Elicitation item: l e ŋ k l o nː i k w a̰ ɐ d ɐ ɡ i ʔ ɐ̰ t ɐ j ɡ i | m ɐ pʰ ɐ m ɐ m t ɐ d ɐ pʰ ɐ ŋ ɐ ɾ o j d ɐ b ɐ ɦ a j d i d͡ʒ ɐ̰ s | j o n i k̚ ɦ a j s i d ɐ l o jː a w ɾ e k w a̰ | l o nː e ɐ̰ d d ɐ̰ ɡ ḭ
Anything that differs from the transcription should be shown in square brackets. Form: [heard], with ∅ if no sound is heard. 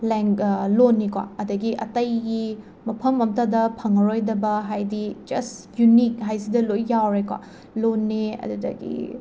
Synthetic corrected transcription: l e ŋ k l o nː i k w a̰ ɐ d ɐ ɡ i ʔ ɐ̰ t ɐ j ɡ i | m ɐ pʰ ɐ m ɐ m t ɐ d ɐ pʰ ɐ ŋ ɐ ɾ o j d ɐ b ɐ ɦ a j d i d͡ʒ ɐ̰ s | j [u] n i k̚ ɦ a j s i d ɐ l o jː a w ɾ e k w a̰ | l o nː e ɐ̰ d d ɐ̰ ɡ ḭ